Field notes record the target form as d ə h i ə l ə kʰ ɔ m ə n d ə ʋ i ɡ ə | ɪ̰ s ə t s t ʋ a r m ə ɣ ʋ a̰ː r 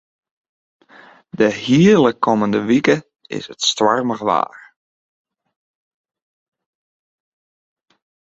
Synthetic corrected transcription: d ə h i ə l ə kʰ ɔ m ə n d ə ʋ i k ə | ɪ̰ s ə t s t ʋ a r m ə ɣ ʋ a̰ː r